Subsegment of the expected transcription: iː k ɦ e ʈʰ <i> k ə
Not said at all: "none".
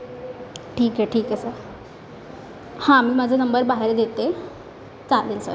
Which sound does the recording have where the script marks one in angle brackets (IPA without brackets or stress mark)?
iː